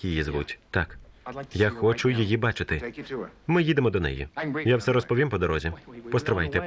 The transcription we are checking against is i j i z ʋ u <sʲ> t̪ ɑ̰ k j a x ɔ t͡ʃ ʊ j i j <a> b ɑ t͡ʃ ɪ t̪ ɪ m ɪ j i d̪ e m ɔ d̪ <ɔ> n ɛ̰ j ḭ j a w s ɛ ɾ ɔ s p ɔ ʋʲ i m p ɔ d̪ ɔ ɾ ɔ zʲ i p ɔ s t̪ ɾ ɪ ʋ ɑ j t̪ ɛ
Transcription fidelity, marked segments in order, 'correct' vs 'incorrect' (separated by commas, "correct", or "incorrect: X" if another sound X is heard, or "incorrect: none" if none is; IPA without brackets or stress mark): incorrect: tʲ, incorrect: i, correct